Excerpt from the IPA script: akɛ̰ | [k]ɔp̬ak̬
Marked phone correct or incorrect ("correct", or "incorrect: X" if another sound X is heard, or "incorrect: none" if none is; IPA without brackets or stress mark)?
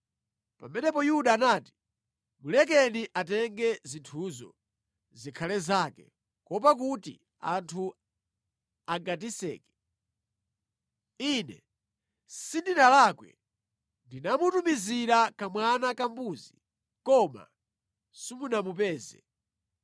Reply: correct